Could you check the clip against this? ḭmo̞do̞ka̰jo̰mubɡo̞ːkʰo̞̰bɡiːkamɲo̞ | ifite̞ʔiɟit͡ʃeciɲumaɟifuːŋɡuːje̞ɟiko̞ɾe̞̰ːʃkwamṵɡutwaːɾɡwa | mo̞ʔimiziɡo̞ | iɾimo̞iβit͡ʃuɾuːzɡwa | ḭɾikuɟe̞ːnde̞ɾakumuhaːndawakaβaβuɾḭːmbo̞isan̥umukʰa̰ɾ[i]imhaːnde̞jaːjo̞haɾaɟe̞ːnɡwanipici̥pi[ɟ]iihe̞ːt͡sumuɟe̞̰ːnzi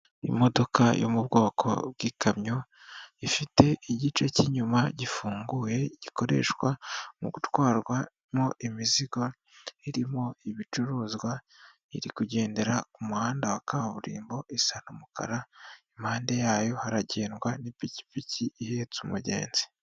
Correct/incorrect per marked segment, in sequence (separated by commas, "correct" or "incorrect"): incorrect, incorrect